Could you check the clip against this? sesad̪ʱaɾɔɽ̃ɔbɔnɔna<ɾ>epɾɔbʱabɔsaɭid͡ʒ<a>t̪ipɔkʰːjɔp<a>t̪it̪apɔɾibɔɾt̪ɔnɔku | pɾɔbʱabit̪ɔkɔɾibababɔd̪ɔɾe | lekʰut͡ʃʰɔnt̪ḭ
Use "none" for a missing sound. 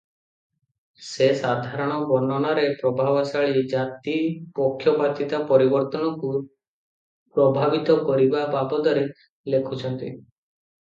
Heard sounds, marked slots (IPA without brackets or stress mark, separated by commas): ɾ, a, a